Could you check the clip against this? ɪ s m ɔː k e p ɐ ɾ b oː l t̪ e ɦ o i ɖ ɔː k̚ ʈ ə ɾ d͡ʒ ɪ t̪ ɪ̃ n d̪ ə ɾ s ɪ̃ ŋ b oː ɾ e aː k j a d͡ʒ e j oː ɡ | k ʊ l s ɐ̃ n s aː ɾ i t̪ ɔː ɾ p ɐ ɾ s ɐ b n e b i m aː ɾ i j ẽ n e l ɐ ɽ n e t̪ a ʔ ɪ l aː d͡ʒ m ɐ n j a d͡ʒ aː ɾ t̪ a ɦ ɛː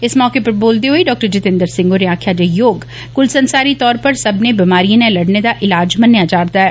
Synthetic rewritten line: ɪ s m ɔː k e p ɐ ɾ b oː l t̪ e ɦ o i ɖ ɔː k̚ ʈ ə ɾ d͡ʒ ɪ t̪ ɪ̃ n d̪ ə ɾ s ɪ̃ ŋ ɡ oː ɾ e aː kʰ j a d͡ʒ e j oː ɡ | k ʊ l s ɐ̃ n s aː ɾ i t̪ ɔː ɾ p ɐ ɾ s ɐ b n e b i m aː ɾ i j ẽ n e l ɐ ɽ n e d̪ a ʔ ɪ l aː d͡ʒ m ɐ n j a d͡ʒ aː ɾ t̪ a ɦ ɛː

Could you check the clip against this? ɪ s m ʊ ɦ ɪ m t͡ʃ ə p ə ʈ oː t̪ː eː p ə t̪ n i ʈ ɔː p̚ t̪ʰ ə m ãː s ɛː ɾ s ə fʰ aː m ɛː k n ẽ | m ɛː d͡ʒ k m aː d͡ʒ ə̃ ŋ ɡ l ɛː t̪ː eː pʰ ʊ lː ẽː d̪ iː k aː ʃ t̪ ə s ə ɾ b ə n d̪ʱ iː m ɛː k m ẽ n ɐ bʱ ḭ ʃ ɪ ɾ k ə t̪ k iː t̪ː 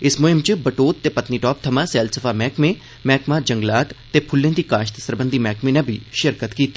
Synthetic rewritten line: ɪ s m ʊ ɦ ɪ m t͡ʃ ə b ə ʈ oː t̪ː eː p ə t̪ n i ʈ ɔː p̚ t̪ʰ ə m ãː s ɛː l s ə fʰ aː m ɛː k m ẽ | m ɛː k m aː d͡ʒ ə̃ ŋ ɡ l aː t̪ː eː pʰ ʊ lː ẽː d̪ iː k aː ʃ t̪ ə s ə ɾ b ə n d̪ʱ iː m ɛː k m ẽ n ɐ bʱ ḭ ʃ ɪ ɾ k ə t̪ k iː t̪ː

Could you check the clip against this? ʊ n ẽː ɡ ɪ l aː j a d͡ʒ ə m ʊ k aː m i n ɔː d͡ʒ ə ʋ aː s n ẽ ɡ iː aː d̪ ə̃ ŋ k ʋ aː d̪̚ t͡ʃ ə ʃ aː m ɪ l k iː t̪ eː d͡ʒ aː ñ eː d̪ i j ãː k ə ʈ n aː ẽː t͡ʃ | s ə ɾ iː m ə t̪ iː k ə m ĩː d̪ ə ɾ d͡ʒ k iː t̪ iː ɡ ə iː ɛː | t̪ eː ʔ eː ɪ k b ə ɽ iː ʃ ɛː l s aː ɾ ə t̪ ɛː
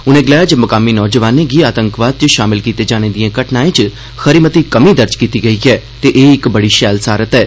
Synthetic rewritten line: ʊ n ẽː ɡ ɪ l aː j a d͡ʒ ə m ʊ k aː m i n ɔː d͡ʒ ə ʋ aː n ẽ ɡ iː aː t̪ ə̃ ŋ k ʋ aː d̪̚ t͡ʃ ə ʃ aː m ɪ l k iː t̪ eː d͡ʒ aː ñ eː d̪ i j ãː k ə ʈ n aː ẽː t͡ʃ | x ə ɾ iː m ə t̪ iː k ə m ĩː d̪ ə ɾ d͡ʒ k iː t̪ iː ɡ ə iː ɛː | t̪ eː ʔ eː ɪ k b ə ɽ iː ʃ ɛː l s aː ɾ ə t̪ ɛː

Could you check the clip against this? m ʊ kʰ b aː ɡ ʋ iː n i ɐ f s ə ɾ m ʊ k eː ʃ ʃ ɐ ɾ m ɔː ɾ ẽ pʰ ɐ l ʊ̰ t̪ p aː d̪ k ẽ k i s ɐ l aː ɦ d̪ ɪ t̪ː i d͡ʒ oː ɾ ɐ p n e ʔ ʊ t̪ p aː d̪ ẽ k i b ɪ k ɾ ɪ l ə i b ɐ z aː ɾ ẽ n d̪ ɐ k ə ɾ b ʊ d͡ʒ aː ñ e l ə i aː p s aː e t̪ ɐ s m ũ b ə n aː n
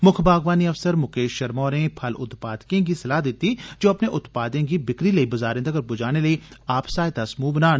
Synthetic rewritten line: m ʊ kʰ b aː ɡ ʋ aː n i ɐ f s ə ɾ m ʊ k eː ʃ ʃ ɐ ɾ m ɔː ɾ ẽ pʰ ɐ l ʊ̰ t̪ p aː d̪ k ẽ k i s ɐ l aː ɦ d̪ ɪ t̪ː i d͡ʒ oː ɐ p n e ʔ ʊ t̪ p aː d̪ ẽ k i b ɪ k ɾ i l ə i b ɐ z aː ɾ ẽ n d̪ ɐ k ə ɾ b ʊ d͡ʒ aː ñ e l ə i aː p s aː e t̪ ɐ s m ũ b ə n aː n

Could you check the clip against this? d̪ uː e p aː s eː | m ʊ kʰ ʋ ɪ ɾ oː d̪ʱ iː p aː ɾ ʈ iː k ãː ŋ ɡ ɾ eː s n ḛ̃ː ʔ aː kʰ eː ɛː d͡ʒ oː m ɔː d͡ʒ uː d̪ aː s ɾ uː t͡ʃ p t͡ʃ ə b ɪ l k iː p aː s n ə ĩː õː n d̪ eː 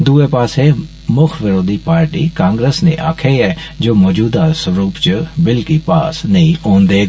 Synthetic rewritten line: d̪ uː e p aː s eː | m ʊ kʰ ʋ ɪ ɾ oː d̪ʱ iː p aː ɾ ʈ iː k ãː ŋ ɡ ɾ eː s n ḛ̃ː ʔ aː kʰ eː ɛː d͡ʒ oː m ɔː d͡ʒ uː d̪ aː s ɾ uː p t͡ʃ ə b ɪ l k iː p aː s n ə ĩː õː n d̪ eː

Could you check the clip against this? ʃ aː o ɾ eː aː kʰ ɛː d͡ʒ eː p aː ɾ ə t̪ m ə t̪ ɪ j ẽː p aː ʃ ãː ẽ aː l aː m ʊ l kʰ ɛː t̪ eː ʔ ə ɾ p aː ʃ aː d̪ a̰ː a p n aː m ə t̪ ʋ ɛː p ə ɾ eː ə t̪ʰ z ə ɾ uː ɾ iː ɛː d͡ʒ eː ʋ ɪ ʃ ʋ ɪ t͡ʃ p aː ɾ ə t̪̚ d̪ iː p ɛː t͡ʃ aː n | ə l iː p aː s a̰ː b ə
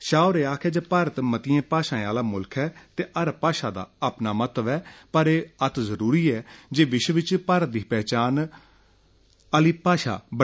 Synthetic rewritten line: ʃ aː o ɾ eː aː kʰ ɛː d͡ʒ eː p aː ɾ ə t̪ m ə t̪ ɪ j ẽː p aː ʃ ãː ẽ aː l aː m ʊ l kʰ ɛː t̪ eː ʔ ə ɾ p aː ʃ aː d̪ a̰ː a p n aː m ə t̪ ʋ ɛː p ə ɾ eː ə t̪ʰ z ə ɾ uː ɾ iː ɛː d͡ʒ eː ʋ ɪ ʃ ʋ ɪ t͡ʃ p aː ɾ ə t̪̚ d̪ iː p ɛː t͡ʃ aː n | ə l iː p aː ʃ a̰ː b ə

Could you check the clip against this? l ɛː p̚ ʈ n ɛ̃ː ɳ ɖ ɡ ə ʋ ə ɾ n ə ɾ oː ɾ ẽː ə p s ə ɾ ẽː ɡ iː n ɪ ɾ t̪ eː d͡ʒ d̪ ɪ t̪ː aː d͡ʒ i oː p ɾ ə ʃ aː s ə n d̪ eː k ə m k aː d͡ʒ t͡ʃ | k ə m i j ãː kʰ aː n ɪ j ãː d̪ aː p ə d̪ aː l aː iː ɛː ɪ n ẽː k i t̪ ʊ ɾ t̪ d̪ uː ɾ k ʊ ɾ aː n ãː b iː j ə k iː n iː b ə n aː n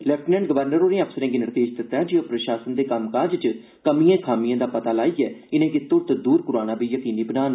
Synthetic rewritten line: l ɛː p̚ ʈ n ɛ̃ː ɳ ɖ ɡ ə ʋ ə ɾ n ə ɾ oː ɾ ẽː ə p s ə ɾ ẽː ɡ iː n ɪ ɾ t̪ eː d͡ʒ d̪ ɪ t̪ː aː d͡ʒ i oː p ɾ ə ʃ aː s ə n d̪ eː k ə m k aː d͡ʒ t͡ʃ | k ə m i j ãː kʰ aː m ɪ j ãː d̪ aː p ə t̪ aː l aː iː ɛː ɪ n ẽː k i t̪ ʊ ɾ t̪ d̪ uː ɾ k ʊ ɾ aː n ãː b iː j ə k iː n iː b ə n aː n

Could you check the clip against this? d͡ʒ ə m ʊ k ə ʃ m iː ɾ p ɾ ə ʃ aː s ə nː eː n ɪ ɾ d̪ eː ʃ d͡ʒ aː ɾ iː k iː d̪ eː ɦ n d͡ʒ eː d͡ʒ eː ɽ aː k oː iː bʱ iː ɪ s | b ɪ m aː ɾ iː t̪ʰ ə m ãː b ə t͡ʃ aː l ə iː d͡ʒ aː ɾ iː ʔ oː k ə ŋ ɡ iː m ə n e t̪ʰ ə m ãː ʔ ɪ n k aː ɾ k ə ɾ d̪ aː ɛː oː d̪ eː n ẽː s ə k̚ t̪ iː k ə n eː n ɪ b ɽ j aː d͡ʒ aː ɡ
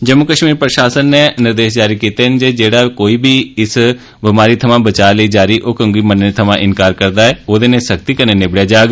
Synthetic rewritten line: d͡ʒ ə m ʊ k ə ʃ m iː ɾ p ɾ ə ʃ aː s ə nː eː n ɪ ɾ d̪ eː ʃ d͡ʒ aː ɾ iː k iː t̪ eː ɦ n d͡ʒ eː d͡ʒ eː ɽ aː k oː iː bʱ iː ɪ s | b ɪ m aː ɾ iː t̪ʰ ə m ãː b ə t͡ʃ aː l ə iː d͡ʒ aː ɾ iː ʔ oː k ə ŋ ɡ iː m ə n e t̪ʰ ə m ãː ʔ ɪ n k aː ɾ k ə ɾ d̪ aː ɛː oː d̪ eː n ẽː s ə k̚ t̪ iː k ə n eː n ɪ b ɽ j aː d͡ʒ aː ɡ

